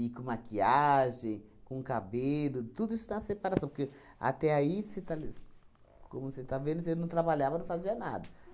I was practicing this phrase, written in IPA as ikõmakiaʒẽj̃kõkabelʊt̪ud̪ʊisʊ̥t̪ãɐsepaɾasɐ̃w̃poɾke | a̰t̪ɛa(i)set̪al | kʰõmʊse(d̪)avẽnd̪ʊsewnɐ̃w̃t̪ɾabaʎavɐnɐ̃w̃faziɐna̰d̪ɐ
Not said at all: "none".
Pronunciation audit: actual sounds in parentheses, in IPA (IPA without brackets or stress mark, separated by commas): i, t̪